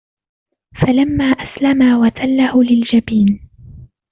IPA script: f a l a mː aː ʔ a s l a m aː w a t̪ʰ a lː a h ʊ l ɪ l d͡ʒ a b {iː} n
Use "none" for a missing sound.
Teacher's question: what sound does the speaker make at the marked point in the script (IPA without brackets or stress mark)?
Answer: iː